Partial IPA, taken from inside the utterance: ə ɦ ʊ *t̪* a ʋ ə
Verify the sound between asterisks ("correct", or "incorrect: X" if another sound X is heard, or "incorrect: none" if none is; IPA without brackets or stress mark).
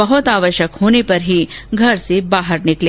correct